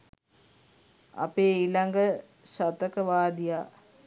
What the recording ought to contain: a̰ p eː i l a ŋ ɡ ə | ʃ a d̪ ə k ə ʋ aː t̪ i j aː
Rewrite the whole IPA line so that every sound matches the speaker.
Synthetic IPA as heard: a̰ p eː i l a ŋ ɡ ə | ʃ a t̪ ə k ə ʋ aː d̪ i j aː